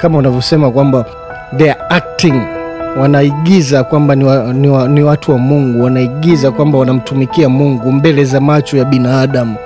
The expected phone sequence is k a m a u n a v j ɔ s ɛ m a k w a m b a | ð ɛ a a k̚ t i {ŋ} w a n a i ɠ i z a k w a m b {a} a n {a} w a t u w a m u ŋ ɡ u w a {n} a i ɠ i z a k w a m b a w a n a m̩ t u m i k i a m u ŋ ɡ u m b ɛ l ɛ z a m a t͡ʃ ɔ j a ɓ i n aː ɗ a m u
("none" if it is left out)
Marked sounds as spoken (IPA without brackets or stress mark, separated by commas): ŋ, a, i, n